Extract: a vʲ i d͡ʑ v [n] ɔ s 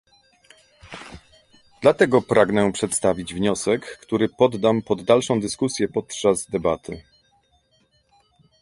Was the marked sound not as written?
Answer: yes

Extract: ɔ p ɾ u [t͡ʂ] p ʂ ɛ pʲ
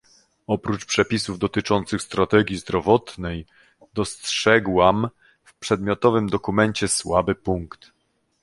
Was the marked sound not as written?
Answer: no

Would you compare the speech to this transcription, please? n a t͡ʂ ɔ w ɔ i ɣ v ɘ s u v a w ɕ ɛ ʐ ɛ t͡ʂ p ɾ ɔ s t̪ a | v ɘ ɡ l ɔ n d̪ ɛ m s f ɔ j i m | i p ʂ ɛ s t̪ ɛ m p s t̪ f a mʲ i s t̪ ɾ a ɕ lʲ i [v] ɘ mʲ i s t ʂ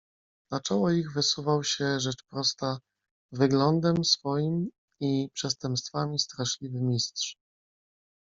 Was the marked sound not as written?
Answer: no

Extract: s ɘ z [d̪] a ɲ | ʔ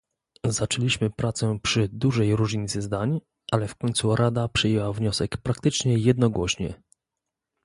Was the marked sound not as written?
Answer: no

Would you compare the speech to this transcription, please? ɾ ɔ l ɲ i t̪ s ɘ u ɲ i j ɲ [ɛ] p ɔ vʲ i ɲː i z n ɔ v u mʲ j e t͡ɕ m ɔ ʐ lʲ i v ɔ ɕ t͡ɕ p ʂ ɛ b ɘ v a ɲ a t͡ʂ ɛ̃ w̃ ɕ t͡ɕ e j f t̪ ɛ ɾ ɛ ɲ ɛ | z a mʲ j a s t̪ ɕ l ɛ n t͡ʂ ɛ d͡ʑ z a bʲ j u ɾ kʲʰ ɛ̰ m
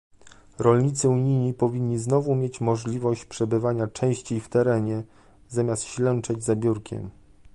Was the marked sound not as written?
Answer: yes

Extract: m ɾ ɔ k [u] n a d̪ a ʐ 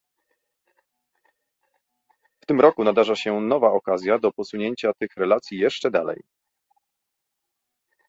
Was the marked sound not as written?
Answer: no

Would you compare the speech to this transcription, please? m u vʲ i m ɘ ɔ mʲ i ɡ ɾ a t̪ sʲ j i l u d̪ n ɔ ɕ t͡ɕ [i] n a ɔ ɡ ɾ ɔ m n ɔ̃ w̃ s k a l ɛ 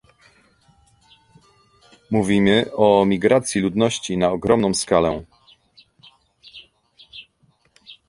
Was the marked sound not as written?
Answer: no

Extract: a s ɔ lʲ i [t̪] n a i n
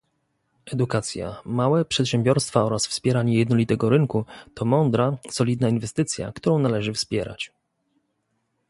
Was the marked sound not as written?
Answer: yes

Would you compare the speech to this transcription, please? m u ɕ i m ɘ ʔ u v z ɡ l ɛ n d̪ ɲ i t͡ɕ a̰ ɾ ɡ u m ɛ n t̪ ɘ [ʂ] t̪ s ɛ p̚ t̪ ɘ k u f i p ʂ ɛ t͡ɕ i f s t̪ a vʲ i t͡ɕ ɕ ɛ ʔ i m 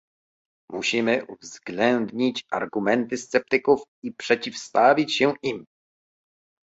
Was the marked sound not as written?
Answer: yes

